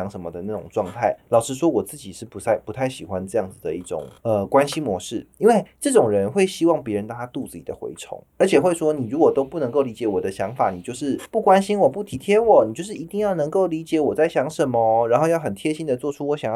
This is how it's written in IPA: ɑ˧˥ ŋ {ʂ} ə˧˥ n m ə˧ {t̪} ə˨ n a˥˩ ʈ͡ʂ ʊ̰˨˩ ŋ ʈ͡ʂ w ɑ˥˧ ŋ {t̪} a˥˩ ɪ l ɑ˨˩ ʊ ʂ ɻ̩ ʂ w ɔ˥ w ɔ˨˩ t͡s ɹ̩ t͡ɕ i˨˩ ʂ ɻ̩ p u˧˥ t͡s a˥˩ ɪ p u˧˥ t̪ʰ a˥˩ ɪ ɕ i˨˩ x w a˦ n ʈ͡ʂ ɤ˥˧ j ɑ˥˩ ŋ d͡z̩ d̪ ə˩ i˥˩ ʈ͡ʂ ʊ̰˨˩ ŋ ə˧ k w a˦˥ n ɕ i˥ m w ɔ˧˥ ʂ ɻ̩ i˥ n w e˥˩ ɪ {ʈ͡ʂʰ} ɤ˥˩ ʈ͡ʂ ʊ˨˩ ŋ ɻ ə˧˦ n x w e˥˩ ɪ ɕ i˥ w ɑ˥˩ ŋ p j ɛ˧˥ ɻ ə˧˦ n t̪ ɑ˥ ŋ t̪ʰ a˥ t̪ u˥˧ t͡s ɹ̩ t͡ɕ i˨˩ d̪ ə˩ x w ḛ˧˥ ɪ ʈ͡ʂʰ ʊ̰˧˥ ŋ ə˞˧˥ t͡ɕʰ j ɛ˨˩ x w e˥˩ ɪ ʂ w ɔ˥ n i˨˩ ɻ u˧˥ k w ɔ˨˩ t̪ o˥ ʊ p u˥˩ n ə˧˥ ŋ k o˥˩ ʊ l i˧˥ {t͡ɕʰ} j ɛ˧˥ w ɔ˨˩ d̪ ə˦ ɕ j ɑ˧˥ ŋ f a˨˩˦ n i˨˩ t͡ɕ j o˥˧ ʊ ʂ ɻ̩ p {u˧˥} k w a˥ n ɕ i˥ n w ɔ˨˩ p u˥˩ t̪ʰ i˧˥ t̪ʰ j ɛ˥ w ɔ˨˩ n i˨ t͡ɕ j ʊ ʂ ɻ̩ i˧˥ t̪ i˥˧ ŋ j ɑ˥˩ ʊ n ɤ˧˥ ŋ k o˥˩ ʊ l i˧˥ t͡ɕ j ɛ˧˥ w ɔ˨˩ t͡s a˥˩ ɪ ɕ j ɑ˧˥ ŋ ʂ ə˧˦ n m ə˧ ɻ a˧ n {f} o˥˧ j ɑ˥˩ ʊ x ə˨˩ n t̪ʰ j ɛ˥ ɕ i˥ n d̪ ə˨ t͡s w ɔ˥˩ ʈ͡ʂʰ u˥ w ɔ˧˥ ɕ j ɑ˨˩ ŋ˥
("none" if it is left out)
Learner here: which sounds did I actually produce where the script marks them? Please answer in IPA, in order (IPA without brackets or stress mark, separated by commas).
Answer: ʂ, d̪, t̪ʰ, ʈ͡ʂ, t͡ɕ, u˥˩, x